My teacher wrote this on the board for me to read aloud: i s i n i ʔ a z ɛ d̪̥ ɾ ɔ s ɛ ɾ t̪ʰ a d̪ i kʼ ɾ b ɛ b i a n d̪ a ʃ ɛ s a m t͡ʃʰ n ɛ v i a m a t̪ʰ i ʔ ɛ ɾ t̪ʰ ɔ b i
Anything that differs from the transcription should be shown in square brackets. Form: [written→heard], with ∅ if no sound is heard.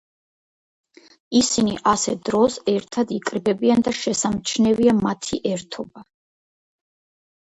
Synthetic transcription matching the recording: i s i n i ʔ a [z→s] ɛ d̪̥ ɾ ɔ s ɛ ɾ t̪ʰ a d̪ i kʼ ɾ b ɛ b i a n d̪ a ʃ ɛ s a m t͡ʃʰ n ɛ v i a m a t̪ʰ i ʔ ɛ ɾ t̪ʰ ɔ b [i→a]